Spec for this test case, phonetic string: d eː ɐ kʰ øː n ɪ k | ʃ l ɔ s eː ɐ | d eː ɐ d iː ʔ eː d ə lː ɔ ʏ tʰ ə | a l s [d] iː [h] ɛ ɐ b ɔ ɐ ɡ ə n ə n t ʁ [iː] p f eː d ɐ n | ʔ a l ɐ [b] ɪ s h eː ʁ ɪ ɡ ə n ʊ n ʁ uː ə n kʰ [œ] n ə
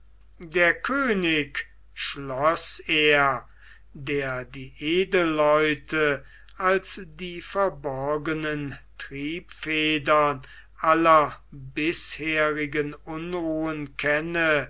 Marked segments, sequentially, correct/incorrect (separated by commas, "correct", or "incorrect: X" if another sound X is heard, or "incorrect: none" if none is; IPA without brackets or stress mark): correct, incorrect: f, correct, correct, incorrect: ɛ